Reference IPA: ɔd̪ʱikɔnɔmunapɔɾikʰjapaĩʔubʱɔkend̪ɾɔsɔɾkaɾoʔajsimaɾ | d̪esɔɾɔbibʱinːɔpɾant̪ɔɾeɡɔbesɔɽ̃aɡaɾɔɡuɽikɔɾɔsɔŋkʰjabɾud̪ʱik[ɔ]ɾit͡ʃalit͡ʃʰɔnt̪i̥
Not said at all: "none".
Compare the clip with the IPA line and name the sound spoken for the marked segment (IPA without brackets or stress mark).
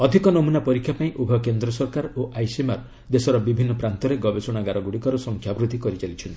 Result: ɔ